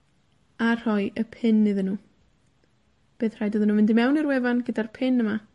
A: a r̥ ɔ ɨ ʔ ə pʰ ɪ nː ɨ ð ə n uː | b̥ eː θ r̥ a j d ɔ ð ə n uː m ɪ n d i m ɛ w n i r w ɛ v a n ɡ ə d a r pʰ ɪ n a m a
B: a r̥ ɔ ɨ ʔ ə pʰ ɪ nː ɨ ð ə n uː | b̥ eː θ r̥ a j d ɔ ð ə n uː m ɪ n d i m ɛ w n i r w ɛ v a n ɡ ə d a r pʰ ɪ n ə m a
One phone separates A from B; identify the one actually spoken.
B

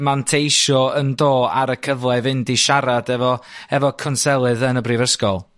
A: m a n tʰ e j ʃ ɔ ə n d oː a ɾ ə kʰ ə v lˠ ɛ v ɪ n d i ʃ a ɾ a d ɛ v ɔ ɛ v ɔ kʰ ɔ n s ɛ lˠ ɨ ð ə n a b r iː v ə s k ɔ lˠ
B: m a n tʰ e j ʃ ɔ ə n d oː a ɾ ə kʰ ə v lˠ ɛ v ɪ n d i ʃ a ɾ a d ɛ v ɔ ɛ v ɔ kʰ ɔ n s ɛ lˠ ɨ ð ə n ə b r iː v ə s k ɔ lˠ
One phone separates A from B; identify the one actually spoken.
B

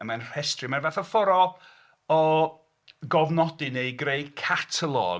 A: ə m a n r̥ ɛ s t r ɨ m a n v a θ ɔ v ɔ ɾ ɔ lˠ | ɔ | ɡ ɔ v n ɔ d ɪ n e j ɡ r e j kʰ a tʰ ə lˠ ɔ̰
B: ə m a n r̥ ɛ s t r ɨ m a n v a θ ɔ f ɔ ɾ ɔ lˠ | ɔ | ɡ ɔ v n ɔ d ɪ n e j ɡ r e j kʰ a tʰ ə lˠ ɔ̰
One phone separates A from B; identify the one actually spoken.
B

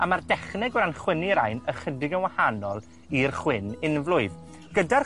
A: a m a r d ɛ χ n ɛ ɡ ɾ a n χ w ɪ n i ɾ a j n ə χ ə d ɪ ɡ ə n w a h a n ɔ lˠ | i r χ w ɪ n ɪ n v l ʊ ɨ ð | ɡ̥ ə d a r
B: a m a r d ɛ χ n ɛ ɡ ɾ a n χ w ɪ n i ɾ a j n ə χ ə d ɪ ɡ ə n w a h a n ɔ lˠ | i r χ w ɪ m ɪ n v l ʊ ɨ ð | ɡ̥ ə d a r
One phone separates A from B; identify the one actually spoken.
A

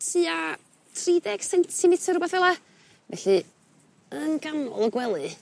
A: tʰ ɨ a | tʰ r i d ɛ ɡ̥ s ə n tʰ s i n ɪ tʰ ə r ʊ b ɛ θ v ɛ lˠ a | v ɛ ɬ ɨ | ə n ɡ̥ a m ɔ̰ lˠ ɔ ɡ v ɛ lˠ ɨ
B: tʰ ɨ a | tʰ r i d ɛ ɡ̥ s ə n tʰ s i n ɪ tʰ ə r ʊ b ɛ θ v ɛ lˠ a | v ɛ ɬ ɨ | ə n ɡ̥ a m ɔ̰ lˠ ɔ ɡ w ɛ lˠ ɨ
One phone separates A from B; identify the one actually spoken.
B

